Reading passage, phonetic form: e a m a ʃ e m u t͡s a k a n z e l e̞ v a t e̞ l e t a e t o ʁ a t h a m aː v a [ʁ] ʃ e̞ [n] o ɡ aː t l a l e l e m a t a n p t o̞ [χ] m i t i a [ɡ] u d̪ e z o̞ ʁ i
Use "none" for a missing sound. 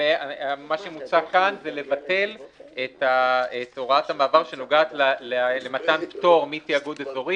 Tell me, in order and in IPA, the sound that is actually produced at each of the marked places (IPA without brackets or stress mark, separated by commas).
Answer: ʁ, n, ʁ, ɡ